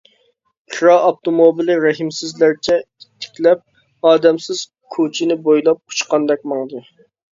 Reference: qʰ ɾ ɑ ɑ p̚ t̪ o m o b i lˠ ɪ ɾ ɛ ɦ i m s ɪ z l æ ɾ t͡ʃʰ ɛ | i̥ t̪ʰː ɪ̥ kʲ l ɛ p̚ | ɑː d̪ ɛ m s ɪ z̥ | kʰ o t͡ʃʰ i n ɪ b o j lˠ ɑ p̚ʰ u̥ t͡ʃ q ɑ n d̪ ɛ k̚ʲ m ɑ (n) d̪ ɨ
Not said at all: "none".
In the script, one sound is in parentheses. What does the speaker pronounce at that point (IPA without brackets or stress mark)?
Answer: ŋ